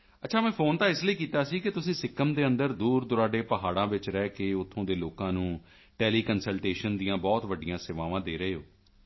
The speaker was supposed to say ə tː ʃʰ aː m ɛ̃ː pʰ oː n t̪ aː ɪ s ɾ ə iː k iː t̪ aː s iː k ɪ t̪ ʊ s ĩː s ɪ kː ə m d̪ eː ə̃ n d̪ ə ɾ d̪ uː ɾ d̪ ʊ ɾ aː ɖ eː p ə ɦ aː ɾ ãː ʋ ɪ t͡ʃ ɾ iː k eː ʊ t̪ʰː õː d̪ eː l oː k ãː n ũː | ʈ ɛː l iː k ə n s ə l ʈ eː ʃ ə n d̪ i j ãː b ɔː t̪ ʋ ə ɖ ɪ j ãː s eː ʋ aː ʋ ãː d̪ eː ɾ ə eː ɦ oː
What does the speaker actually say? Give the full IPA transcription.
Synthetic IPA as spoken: ə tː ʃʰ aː m ɛ̃ː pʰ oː n t̪ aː ɪ s l ə iː k iː t̪ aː s iː k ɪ t̪ ʊ s ĩː s ɪ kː ə m d̪ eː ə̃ n d̪ ə ɾ d̪ uː ɾ d̪ ʊ ɾ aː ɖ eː p ə ɦ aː ɽ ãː ʋ ɪ t͡ʃ ɾ ɛː k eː ʊ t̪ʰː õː d̪ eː l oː k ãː n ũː | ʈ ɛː l iː k ə n s ə l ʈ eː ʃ ə n d̪ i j ãː b ɔː t̪ ʋ ə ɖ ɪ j ãː s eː ʋ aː ʋ ãː d̪ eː ɾ ə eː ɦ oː